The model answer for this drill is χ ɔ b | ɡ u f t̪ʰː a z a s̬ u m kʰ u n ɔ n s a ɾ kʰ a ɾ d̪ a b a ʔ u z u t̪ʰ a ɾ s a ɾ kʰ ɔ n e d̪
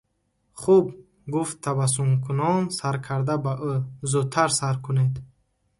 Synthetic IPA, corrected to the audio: χ u b | ɡ u f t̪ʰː a v a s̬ u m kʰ u n ɔ n s a ɾ kʰ a ɾ d̪ a b a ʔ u z u t̪ʰ a ɾ s a ɾ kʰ u n e d̪

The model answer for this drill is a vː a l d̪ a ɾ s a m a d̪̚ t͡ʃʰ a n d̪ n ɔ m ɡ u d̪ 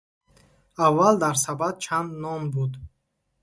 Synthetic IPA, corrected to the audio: a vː a l d̪ a ɾ s a b a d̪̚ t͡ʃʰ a n d̪ n ɔ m b u d̪

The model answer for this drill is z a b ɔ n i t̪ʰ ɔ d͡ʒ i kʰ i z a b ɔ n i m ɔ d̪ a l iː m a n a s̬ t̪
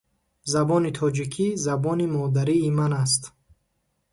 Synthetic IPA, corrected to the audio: z a b ɔ n i t̪ʰ ɔ d͡ʒ i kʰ i z a b ɔ n i m ɔ d̪ a ɾ iː m a n a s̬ t̪

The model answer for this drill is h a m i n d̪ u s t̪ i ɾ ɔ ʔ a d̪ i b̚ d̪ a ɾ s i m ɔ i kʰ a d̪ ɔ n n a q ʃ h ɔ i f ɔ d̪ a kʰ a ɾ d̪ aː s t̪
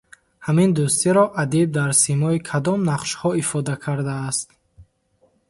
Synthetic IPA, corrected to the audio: h a m i n d̪ u s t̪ i ɾ ɔ ʔ a d̪ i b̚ d̪ a ɾ s i m ɔ i kʰ a d̪ ɔ m n a q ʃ h ɔ i f ɔ d̪ a kʰ a ɾ d̪ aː s t̪

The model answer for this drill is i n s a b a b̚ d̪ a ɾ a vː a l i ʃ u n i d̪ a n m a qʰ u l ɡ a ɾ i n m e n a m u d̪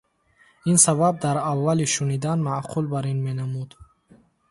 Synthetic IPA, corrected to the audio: i n s a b a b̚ d̪ a ɾ a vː a l i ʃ u n i d̪ a n m a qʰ u l b a ɾ i n m e n a m u d̪

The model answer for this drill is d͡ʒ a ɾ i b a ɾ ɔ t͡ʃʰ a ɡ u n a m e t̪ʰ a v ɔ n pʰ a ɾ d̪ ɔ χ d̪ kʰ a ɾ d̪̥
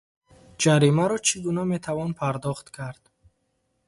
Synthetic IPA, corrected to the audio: d͡ʒ a ɾ i m a ɾ ɔ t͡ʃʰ i ɡ u n a m e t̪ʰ a v ɔ n pʰ a ɾ d̪ ɔ χ t̪ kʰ a ɾ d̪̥

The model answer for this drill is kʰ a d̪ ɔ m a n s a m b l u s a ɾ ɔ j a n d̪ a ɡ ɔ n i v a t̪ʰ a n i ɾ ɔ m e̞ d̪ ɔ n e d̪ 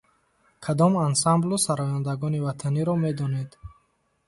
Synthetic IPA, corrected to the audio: kʰ a d̪ ɔ m a n s a m b l u s a ɾ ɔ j a n d̪ a ɡ ɔ n i v a t̪ʰ a n i ɾ ɔ m e̞ d̪ ɔ n e d̪

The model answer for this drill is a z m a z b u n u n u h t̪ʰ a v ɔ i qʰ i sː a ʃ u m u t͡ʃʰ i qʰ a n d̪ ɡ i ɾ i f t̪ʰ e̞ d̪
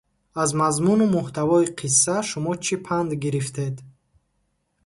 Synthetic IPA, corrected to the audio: a z m a z m u n u m u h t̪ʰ a v ɔ i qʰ i sː a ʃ u m ɔ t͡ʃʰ i pʰ a n d̪ ɡ i ɾ i f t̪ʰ e̞ d̪

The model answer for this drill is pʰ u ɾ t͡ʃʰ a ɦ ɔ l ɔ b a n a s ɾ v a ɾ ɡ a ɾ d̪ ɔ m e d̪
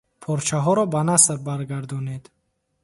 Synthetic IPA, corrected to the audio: pʰ ɔ ɾ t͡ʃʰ a ɦ ɔ ɾ ɔ b a n a s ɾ b a ɾ ɡ a ɾ d̪ ɔ n e d̪

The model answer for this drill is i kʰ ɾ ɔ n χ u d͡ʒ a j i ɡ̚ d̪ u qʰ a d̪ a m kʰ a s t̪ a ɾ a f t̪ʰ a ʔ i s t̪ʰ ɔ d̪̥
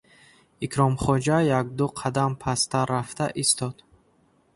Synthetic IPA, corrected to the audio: i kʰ ɾ ɔ m χ ɔ d͡ʒ a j a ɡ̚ d̪ u qʰ a d̪ a m pʰ a s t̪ a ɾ a f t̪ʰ a ʔ i s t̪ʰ ɔ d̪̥

